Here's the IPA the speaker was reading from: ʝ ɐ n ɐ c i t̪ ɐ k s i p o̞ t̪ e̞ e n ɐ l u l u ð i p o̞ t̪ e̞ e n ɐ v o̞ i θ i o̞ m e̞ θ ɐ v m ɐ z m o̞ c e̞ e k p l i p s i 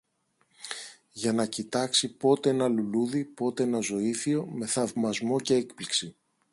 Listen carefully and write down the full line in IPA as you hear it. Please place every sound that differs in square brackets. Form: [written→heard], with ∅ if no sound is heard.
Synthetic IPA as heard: ʝ ɐ n ɐ c i t̪ ɐ k s i p o̞ t̪ e̞ e n ɐ l u l u ð i p o̞ t̪ e̞ e n ɐ [v→z] o̞ i θ i o̞ m e̞ θ ɐ v m ɐ z m o̞ c e̞ e k p l i [p→k] s i

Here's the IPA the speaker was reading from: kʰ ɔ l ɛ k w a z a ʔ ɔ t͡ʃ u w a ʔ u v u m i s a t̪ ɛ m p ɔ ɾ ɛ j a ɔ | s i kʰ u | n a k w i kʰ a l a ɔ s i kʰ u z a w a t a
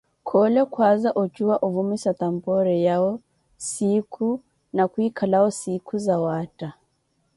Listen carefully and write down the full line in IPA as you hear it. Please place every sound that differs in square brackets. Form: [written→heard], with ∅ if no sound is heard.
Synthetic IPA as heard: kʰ ɔ l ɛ k w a z a ʔ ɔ t͡ʃ u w a ʔ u v u m i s a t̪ [ɛ→a] m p ɔ ɾ ɛ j a ɔ | s i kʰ u | n a k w i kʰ a l a ɔ s i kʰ u z a w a t a

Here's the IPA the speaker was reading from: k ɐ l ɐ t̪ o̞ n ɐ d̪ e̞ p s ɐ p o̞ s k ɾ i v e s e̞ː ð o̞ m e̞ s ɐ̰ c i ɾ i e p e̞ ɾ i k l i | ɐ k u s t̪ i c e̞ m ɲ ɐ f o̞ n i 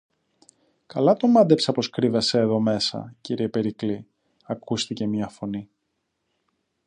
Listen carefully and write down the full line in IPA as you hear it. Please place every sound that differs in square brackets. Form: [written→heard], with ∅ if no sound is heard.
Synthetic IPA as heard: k ɐ l ɐ t̪ o̞ [n→m] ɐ d̪ e̞ p s ɐ p o̞ s k ɾ i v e s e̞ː ð o̞ m e̞ s ɐ̰ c i ɾ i e p e̞ ɾ i k l i | ɐ k u s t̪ i c e̞ m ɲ ɐ f o̞ n i

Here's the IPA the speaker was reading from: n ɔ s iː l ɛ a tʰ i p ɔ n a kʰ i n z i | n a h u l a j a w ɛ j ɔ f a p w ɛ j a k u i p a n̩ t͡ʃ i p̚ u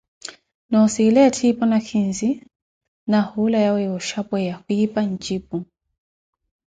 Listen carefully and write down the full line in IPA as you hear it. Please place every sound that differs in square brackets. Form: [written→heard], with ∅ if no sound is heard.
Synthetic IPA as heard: n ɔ s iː l ɛ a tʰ i p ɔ n a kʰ i n z i | n a h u l a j a w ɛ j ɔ [f→ʃ] a p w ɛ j a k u i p a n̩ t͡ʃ i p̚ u

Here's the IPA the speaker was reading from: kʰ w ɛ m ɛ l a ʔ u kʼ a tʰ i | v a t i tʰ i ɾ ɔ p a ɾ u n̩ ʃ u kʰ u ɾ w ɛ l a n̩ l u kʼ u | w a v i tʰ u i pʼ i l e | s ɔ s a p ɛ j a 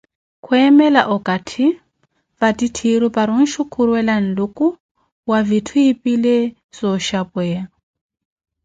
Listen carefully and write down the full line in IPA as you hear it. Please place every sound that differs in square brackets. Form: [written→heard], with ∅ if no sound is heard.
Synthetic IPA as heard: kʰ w ɛ m ɛ l a ʔ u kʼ a tʰ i | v a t i tʰ i ɾ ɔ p a ɾ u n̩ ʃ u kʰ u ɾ w ɛ l a n̩ l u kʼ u | w a v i tʰ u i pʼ i l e | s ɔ [s→ʃ] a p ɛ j a

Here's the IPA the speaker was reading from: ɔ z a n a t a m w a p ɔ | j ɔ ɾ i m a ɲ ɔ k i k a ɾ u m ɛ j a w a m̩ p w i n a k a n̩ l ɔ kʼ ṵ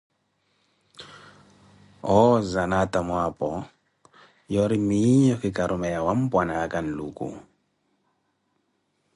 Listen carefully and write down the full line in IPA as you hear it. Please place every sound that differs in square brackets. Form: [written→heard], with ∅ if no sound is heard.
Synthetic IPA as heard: ɔ z a n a t a m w a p ɔ | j ɔ ɾ i m [a→i] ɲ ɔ k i k a ɾ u m ɛ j a w a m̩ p w [i→a] n a k a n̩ l [ɔ→u] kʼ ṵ

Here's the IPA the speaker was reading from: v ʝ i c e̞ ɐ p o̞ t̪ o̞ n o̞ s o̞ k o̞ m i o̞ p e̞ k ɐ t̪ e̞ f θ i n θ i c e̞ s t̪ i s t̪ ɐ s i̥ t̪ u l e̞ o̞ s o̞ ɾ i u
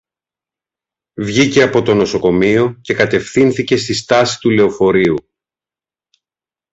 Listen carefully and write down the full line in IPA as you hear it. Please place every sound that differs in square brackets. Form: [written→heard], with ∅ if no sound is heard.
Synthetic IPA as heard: v ʝ i c e̞ ɐ p o̞ t̪ o̞ n o̞ s o̞ k o̞ m i o̞ [p→c] e̞ k ɐ t̪ e̞ f θ i n θ i c e̞ s t̪ i s t̪ ɐ s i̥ t̪ u l e̞ o̞ [s→f] o̞ ɾ i u

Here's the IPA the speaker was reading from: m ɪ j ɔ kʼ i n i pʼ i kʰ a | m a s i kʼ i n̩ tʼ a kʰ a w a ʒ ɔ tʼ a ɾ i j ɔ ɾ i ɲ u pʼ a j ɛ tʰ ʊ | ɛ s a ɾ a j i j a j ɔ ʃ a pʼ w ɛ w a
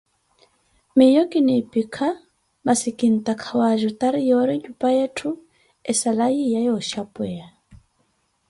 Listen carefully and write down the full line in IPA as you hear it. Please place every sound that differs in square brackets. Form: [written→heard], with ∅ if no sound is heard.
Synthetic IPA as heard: m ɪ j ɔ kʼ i n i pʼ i kʰ a | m a s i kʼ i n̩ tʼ a kʰ a w a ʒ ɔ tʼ a ɾ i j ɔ ɾ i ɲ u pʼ a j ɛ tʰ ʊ | ɛ s a [ɾ→l] a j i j a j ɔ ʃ a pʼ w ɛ [w→∅] a

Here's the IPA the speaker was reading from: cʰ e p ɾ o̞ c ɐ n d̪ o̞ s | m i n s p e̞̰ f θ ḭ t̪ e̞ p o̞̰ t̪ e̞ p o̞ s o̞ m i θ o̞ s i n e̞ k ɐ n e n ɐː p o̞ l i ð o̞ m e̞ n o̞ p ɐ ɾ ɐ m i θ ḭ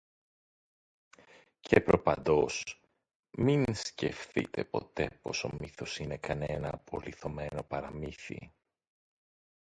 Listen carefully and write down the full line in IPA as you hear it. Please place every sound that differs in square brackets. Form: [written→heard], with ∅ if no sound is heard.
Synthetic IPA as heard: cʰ e p ɾ o̞ [c→p] ɐ n d̪ o̞ s | m i n s [p→c] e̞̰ f θ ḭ t̪ e̞ p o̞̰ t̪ e̞ p o̞ s o̞ m i θ o̞ s i n e̞ k ɐ n e n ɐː p o̞ l i [ð→θ] o̞ m e̞ n o̞ p ɐ ɾ ɐ m i θ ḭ

